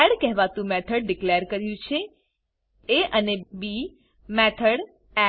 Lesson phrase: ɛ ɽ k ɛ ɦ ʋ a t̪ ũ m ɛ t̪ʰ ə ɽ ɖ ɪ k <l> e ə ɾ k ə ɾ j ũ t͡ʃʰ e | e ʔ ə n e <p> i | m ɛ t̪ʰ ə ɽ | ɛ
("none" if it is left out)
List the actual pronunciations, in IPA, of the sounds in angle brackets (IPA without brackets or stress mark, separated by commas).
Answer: l, b